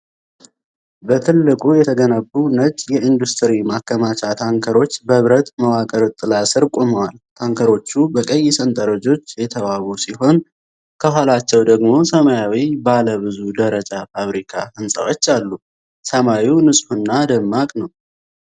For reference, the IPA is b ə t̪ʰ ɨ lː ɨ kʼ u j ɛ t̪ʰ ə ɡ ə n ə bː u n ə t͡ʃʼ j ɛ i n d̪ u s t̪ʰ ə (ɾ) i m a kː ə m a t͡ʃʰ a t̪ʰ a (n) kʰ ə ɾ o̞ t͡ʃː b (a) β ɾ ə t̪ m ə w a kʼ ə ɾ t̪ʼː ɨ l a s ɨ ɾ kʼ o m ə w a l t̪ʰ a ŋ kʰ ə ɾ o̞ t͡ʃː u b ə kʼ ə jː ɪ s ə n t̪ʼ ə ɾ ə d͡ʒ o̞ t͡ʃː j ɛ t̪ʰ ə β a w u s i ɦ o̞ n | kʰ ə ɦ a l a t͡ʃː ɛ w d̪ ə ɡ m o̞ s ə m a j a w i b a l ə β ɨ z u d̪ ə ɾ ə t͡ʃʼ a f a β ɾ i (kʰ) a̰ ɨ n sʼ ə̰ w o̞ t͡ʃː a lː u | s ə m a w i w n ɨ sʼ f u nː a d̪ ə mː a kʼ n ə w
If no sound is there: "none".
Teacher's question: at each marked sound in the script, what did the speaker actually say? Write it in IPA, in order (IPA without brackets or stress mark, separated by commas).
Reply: ɾ, ŋ, ə, kʰ